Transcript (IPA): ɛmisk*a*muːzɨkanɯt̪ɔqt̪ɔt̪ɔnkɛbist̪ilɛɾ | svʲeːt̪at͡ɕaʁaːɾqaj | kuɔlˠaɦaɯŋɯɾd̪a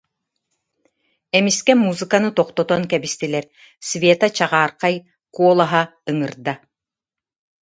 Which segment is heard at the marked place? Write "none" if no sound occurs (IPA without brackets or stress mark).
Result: ɛ